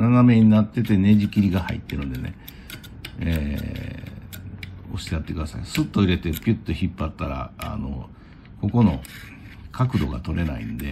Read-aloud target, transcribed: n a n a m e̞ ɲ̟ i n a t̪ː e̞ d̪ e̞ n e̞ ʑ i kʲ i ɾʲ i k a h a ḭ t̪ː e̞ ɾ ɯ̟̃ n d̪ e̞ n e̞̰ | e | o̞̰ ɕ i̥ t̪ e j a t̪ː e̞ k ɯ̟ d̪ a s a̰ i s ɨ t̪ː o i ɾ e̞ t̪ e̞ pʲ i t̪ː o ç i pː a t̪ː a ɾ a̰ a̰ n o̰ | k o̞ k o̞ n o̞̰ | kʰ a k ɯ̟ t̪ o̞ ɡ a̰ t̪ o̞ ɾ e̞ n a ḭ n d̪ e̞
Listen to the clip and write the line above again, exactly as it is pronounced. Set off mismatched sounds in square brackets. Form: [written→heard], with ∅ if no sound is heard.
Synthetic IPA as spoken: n a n a m e̞ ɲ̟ i n a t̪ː e̞ [d̪→t̪] e̞ n e̞ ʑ i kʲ i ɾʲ i [k→ɡ] a h a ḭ t̪ː e̞ ɾ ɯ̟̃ n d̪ e̞ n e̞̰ | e | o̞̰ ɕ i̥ t̪ e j a t̪ː e̞ k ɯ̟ d̪ a s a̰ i s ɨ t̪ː o i ɾ e̞ t̪ e̞ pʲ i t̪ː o ç i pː a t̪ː a ɾ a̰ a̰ n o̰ | k o̞ k o̞ n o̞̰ | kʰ a k ɯ̟ [t̪→d̪] o̞ ɡ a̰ t̪ o̞ ɾ e̞ n a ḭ n d̪ e̞